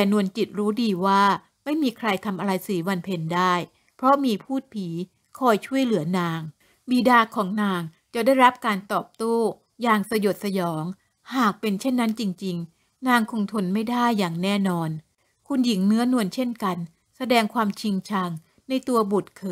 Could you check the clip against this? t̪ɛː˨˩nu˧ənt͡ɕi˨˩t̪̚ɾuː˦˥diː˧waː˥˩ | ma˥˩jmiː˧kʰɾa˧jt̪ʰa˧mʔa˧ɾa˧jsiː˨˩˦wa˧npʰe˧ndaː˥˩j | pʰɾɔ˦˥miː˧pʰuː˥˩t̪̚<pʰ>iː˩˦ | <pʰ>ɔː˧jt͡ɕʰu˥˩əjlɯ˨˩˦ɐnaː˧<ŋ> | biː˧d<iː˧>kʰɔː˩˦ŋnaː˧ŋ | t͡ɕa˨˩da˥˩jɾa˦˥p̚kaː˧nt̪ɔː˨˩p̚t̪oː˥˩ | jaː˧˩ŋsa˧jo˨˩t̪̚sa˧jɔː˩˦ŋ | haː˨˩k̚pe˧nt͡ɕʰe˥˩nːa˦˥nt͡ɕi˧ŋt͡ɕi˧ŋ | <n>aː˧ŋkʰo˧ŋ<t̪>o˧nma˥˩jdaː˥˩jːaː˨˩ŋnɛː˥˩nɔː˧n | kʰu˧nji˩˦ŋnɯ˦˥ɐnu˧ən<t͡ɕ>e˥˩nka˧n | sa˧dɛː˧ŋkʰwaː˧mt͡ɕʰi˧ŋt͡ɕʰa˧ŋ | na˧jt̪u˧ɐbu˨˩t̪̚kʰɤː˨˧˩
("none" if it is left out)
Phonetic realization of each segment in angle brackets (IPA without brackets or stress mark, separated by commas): pʰ, kʰ, ŋ, aː˧, n, t̪ʰ, t͡ɕʰ